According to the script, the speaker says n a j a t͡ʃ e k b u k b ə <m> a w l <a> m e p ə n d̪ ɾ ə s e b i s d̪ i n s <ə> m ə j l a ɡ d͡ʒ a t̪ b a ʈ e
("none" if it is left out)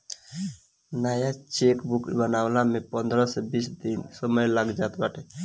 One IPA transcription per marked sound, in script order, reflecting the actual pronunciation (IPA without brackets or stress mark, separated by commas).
n, a, ə